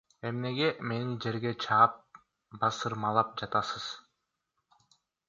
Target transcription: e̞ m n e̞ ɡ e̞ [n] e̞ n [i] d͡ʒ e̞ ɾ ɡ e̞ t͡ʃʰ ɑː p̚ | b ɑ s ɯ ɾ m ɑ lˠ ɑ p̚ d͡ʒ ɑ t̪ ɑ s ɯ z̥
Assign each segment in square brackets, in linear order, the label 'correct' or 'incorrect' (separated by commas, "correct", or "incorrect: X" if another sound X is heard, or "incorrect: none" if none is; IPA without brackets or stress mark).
incorrect: m, correct